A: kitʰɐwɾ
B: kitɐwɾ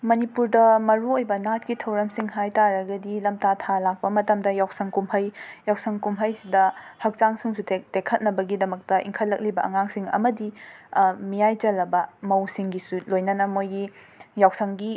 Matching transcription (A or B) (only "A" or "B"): A